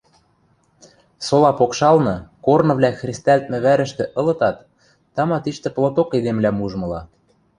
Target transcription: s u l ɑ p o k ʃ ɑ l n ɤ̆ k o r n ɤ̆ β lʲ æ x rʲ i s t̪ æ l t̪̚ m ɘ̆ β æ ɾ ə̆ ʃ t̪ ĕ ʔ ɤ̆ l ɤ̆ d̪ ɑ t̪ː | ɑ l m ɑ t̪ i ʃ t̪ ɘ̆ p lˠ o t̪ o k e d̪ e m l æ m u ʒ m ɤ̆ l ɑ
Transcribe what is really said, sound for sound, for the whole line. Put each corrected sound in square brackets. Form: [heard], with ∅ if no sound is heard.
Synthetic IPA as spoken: s [o] l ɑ p o k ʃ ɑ l n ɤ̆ k o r n ɤ̆ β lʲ æ x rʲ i s t̪ æ l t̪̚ m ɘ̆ β æ ɾ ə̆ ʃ t̪ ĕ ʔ ɤ̆ l ɤ̆ [t̪] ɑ t̪ː | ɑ [∅] m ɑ t̪ i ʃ t̪ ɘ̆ p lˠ o t̪ o k e d̪ e m l æ m u ʒ m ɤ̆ l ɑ